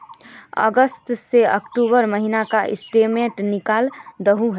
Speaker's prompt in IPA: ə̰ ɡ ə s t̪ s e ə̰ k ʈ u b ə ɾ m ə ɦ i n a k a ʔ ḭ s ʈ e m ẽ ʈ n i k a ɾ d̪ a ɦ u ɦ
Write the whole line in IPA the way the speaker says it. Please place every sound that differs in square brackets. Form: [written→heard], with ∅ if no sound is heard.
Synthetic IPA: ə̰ ɡ ə s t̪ s e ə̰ k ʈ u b ə ɾ m ə ɦ i n a k a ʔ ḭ s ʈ e m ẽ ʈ n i k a [ɾ→l] d̪ [a→ə] ɦ u ɦ